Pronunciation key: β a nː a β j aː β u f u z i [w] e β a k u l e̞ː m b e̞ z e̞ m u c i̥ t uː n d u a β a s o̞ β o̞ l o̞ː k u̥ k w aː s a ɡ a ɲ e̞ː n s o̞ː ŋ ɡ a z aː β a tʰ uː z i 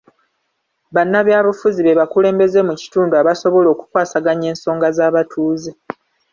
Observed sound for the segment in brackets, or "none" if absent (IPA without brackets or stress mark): β